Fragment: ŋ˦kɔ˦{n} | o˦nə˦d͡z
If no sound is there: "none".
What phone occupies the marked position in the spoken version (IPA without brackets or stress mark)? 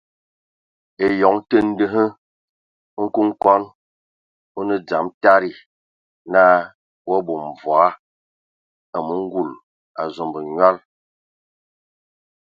n